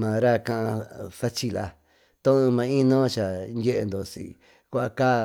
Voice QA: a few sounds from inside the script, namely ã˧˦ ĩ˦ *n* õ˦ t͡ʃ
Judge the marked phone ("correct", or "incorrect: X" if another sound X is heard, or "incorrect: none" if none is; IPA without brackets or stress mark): correct